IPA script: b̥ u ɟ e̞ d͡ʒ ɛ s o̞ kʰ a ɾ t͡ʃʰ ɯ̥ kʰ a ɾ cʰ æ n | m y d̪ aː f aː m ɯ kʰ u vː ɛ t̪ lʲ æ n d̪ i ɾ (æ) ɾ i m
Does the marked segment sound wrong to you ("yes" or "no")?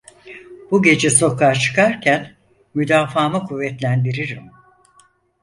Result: yes